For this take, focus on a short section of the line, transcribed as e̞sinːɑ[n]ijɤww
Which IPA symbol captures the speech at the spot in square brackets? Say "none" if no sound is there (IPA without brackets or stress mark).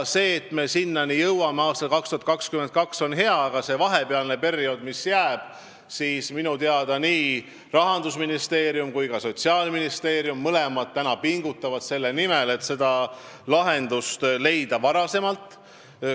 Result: n